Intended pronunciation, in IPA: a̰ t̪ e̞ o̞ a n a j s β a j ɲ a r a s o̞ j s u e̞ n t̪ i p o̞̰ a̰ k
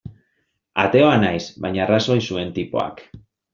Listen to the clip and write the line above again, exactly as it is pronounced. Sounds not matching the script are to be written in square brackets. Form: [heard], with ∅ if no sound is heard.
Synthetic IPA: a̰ t̪ e̞ o̞ a n a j s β a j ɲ a r a s o̞ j s u e̞ n t̪ i p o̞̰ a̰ k